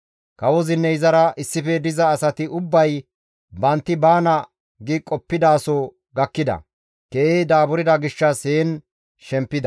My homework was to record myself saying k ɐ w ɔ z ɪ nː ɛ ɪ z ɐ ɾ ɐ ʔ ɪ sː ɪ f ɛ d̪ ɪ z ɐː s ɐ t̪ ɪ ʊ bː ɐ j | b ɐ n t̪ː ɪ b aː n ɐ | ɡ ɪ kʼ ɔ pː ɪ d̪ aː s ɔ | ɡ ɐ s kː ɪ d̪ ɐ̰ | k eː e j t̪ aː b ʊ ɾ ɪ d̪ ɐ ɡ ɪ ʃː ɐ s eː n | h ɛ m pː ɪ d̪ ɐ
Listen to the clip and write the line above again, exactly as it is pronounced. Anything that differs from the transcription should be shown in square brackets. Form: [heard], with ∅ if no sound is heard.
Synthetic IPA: k ɐ w ɔ z ɪ nː ɛ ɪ z ɐ ɾ ɐ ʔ ɪ sː ɪ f ɛ d̪ ɪ z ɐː s ɐ t̪ ɪ ʊ bː ɐ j | b ɐ n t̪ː ɪ b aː n ɐ | ɡ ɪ kʼ ɔ pː ɪ d̪ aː s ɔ | ɡ ɐ [∅] kː ɪ d̪ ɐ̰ | k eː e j [d̪] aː b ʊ ɾ ɪ d̪ ɐ ɡ ɪ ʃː ɐ s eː n | [ʃ] ɛ m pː ɪ d̪ ɐ